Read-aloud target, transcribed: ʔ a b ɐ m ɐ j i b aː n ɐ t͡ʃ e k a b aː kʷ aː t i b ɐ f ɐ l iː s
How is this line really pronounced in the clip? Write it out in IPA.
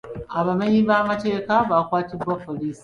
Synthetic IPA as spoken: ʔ a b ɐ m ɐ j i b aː m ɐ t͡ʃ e k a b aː kʷ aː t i b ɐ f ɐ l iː s